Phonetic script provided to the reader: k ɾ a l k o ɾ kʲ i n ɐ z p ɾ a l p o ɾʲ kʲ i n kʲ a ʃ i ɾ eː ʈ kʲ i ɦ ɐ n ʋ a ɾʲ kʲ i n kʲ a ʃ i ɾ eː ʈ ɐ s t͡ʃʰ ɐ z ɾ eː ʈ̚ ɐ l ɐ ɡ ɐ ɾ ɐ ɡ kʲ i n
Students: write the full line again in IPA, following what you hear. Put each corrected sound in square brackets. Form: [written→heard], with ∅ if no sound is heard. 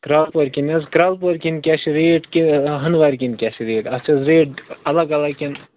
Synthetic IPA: k ɾ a l [k→p] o ɾ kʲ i n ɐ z [p→k] ɾ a l p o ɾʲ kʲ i n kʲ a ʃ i ɾ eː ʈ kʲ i ɦ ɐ n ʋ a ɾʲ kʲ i n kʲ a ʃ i ɾ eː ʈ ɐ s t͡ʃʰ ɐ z ɾ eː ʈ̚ ɐ l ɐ ɡ ɐ [ɾ→l] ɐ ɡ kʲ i n

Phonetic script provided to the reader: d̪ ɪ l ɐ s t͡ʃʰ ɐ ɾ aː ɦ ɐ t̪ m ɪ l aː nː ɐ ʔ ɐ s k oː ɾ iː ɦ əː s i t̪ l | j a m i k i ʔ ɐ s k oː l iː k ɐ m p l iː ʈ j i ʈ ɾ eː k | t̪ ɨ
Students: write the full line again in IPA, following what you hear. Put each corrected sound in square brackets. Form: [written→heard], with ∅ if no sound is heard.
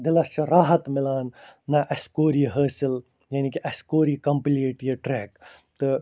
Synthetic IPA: d̪ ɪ l ɐ s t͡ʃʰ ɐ ɾ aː ɦ ɐ t̪ m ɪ l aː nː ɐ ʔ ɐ s k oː ɾ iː ɦ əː s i [t̪→∅] l | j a [m→n] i k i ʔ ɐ s k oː [l→ɾ] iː k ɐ m p l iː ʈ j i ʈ ɾ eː k | t̪ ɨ

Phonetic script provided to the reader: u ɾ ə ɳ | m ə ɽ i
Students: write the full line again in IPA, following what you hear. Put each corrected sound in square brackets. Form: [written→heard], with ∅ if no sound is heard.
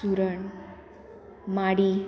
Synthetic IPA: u ɾ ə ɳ | m [ə→a] ɽ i

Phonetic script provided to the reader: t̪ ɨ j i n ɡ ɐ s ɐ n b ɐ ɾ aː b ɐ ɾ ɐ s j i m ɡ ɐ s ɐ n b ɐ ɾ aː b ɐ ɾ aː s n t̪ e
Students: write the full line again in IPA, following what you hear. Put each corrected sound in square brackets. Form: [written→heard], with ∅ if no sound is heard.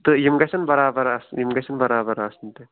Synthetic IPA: t̪ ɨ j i [n→m] ɡ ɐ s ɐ n b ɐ ɾ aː b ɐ ɾ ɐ s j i m ɡ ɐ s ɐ n b ɐ ɾ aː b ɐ ɾ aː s n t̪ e

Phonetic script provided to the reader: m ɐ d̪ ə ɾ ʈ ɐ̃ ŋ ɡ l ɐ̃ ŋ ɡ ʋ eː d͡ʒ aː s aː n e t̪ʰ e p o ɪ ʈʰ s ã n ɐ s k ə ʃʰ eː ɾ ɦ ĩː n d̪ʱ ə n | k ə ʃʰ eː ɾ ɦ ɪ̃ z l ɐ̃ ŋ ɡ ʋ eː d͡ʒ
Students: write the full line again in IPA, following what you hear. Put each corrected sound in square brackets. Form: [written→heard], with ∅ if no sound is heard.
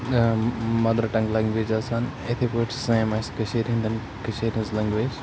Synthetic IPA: m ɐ d̪ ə ɾ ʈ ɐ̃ ŋ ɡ l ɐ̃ ŋ ɡ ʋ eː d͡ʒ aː s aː n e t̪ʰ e p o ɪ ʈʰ s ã [n→m] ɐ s k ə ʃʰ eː ɾ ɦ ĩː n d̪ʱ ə n | k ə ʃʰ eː ɾ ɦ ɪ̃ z l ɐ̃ ŋ ɡ ʋ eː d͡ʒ

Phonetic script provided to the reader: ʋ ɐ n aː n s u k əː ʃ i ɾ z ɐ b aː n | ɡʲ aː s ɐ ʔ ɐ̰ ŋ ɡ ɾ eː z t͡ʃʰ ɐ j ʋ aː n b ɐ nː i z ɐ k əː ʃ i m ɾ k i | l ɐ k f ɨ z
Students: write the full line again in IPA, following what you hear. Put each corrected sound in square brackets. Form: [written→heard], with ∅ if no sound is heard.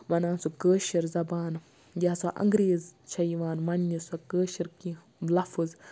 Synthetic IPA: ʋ ɐ n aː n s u k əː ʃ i ɾ z ɐ b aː n | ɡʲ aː s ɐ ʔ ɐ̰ ŋ ɡ ɾ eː z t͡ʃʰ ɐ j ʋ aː n [b→m] ɐ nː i [z→s] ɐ k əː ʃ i [m→∅] ɾ k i | l ɐ [k→∅] f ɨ z

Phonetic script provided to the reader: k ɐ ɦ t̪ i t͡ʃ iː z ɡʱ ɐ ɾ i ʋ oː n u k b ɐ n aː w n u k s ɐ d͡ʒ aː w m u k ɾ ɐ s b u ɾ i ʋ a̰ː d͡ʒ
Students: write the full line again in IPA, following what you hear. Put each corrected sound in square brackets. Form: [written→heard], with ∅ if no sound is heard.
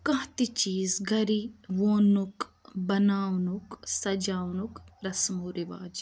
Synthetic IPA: k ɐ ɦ t̪ i t͡ʃ iː z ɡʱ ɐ ɾ i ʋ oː n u k b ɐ n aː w n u k s ɐ d͡ʒ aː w [m→n] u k ɾ ɐ s [b→m] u ɾ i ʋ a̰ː d͡ʒ

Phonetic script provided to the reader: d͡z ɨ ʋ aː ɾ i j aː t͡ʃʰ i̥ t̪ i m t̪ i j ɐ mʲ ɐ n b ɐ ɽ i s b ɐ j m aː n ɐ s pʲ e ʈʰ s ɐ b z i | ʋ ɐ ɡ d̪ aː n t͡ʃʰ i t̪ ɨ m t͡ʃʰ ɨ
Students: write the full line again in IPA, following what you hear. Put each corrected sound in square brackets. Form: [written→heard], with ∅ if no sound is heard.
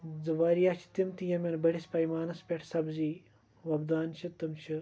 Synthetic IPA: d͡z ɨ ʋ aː ɾ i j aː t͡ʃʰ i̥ t̪ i m t̪ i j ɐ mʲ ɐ n b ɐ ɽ i s [b→p] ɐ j m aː n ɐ s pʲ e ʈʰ s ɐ b z i | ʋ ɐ [ɡ→b] d̪ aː n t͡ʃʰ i t̪ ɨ m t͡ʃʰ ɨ

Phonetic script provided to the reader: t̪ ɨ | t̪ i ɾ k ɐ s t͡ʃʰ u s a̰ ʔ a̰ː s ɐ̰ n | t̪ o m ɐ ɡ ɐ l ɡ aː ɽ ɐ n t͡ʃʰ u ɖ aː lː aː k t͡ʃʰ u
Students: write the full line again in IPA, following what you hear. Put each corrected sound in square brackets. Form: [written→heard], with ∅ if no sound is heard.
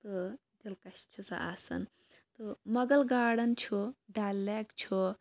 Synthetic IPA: t̪ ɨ | [t̪→d̪] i [ɾ→l] k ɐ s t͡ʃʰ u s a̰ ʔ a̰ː s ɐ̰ n | t̪ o m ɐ ɡ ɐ l ɡ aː ɽ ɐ n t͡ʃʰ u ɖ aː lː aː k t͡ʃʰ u

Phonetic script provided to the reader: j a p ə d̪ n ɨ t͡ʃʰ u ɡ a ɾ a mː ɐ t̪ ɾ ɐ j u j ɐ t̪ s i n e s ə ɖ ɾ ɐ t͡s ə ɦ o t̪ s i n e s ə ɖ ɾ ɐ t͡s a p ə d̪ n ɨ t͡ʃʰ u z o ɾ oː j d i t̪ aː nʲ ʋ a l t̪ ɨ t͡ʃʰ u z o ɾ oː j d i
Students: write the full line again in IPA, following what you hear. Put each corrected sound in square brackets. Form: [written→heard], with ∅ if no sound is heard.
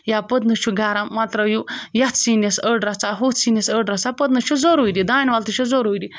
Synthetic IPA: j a p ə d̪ n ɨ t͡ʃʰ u ɡ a ɾ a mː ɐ t̪ ɾ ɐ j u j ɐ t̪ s i n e s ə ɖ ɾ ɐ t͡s [ə→a] ɦ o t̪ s i n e s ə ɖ ɾ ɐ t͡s a p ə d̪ n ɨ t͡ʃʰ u z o ɾ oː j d i [t̪→d̪] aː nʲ ʋ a l t̪ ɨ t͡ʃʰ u z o ɾ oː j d i

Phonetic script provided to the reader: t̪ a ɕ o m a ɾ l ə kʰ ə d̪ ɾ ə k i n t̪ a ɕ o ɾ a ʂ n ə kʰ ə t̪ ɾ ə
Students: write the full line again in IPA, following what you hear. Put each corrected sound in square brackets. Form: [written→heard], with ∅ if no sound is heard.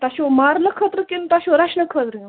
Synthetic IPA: t̪ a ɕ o m a ɾ l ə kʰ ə [d̪→t̪] ɾ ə k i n t̪ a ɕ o ɾ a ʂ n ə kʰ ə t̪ ɾ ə

